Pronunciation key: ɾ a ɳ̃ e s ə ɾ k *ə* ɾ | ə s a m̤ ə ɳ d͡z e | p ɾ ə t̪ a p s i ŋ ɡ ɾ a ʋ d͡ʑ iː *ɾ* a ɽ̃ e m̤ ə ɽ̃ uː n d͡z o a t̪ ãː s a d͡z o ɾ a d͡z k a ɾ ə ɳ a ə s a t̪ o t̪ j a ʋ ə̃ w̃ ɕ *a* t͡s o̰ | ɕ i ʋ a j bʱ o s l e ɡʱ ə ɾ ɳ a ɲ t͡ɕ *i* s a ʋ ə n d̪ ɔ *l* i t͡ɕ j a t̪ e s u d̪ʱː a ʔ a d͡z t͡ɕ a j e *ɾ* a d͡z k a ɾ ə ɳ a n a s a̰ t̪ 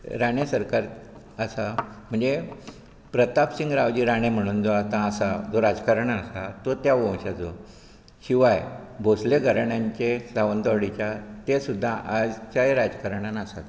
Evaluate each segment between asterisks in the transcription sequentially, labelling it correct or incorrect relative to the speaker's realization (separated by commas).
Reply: incorrect, correct, correct, incorrect, incorrect, correct